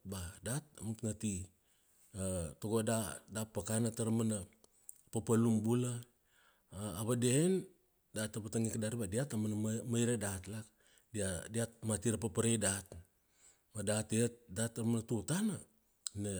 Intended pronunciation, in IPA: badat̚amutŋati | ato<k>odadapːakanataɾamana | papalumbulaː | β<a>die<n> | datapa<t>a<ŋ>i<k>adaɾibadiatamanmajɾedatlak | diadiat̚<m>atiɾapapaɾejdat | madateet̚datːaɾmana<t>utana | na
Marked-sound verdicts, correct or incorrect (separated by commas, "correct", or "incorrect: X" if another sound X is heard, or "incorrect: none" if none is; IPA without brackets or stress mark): incorrect: ɡ, correct, correct, correct, correct, correct, correct, correct